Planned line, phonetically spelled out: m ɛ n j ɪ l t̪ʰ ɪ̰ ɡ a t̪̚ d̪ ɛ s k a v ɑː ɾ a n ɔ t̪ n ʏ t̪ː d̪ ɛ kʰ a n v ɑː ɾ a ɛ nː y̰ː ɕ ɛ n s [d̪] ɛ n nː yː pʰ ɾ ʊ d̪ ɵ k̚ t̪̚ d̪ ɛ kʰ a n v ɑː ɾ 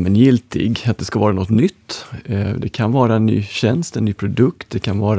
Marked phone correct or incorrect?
incorrect